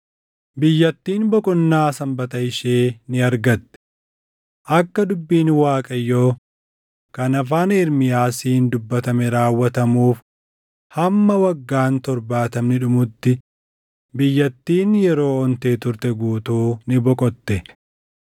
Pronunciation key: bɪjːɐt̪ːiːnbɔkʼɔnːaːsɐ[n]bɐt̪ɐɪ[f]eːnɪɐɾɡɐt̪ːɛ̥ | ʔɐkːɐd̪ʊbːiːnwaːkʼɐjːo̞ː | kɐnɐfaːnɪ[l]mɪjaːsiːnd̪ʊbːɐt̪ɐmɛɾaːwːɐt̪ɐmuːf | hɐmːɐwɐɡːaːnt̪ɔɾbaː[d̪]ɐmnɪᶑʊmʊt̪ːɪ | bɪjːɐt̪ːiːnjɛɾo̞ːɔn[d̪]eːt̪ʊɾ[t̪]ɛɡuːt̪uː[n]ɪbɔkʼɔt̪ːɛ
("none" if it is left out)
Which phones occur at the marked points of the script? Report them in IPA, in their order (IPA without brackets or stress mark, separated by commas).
m, ʃ, ɾ, t̪, t̪, t̪, n